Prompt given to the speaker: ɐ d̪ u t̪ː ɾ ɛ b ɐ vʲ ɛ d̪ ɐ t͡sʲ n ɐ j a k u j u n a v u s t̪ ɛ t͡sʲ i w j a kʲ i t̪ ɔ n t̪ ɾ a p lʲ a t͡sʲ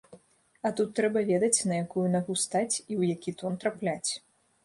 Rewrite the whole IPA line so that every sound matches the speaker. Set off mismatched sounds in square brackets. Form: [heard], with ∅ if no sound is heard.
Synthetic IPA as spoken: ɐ [t̪] u t̪ː ɾ ɛ b ɐ vʲ ɛ d̪ ɐ t͡sʲ n ɐ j a k u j u n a [ɣ] u s t̪ [a] t͡sʲ i w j a kʲ i t̪ ɔ n t̪ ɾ a p lʲ a t͡sʲ